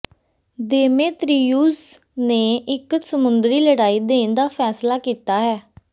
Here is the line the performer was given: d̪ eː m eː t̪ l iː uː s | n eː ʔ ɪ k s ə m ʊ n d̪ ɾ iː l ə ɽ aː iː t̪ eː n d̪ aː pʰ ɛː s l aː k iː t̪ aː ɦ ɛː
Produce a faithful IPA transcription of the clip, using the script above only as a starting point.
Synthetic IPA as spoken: d̪ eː m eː t̪ ɾ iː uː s | n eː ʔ ɪ k s ə m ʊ n d̪ ɾ iː l ə ɽ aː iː d̪ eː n d̪ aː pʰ ɛː s l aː k iː t̪ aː ɦ ɛː